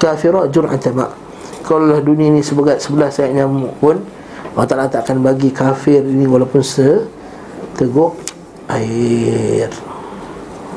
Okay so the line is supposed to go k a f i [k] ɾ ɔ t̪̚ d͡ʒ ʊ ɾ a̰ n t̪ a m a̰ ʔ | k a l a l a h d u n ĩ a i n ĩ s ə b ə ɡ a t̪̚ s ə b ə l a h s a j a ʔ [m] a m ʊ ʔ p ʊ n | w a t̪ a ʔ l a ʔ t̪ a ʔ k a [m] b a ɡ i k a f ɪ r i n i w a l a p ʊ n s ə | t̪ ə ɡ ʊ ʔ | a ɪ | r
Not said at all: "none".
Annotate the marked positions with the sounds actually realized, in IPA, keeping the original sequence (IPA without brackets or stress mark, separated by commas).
none, ɲ, n